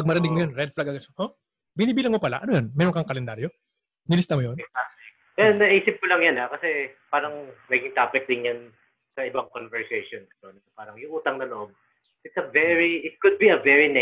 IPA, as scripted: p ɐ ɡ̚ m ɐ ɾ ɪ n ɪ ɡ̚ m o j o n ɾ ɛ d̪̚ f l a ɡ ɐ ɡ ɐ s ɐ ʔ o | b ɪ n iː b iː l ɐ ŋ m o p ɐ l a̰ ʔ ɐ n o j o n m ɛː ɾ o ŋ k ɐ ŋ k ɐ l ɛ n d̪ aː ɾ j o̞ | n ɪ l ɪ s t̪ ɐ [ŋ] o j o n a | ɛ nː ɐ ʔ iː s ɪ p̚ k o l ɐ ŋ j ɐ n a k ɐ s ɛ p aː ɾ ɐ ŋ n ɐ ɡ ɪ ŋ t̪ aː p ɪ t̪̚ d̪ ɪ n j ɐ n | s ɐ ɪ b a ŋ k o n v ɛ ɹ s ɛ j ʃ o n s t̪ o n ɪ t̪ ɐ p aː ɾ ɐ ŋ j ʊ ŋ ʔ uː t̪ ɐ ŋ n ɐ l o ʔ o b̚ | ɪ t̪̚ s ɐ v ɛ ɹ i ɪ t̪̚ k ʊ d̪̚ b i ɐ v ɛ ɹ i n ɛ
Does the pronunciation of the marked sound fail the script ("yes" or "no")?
yes